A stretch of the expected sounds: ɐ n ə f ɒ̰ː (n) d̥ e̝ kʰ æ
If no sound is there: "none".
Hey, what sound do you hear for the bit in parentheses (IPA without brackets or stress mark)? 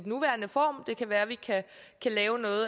m